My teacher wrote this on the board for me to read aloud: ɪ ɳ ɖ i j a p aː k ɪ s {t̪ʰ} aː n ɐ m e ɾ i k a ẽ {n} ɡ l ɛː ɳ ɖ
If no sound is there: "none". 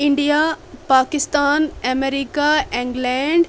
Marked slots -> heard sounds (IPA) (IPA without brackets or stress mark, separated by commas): t̪, ŋ